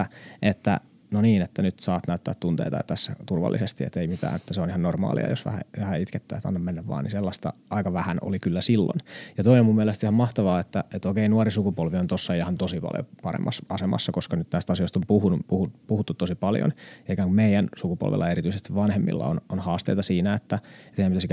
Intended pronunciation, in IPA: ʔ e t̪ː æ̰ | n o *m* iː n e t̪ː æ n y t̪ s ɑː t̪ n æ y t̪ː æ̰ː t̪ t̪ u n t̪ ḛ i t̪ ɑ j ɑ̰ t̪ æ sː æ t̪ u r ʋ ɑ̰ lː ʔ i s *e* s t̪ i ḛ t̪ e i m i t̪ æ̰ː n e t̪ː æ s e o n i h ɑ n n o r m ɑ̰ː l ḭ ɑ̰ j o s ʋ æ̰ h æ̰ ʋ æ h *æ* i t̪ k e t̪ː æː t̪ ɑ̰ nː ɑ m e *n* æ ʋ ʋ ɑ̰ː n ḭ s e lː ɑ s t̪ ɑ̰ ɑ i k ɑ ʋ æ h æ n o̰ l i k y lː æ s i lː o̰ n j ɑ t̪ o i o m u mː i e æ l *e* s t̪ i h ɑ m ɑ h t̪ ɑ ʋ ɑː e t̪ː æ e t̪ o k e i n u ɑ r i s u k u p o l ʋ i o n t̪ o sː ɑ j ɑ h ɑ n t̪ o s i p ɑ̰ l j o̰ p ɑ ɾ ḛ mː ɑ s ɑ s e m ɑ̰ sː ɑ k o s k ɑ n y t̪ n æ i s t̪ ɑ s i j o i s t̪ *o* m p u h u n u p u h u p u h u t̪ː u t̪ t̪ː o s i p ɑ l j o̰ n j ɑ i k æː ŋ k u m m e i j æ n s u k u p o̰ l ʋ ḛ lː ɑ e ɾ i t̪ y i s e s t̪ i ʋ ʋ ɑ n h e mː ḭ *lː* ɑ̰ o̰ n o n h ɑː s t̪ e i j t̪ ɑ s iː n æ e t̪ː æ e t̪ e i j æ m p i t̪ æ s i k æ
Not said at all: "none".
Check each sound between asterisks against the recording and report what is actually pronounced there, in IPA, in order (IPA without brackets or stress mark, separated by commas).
n, e, æ, nː, e, o, lː